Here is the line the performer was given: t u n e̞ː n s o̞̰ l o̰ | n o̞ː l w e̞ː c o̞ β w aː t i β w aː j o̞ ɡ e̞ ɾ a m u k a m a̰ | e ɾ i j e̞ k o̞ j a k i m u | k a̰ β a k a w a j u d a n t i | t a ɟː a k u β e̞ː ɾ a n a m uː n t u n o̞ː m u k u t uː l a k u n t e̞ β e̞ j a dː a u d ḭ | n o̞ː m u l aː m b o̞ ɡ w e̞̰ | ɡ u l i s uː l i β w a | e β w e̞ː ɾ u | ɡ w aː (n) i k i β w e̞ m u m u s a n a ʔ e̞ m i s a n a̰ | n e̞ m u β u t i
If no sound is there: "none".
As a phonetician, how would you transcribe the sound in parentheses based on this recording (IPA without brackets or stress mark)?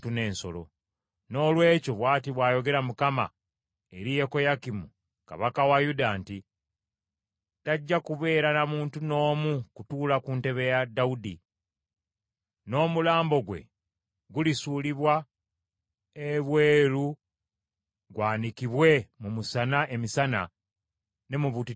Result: n